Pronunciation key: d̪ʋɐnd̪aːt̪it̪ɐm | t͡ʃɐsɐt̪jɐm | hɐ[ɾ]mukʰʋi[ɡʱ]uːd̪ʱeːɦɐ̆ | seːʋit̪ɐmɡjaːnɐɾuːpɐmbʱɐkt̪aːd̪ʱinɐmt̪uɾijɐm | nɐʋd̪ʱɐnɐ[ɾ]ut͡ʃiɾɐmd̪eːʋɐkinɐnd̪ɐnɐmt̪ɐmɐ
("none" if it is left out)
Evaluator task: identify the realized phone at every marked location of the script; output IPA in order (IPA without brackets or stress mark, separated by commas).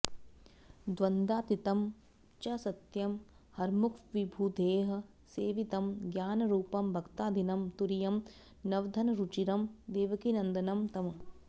ɾ, bʱ, ɾ